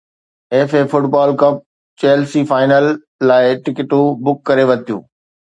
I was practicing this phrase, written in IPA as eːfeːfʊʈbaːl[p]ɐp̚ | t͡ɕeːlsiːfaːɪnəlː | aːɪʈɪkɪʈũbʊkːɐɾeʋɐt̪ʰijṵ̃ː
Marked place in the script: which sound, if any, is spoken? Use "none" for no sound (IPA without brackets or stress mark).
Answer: k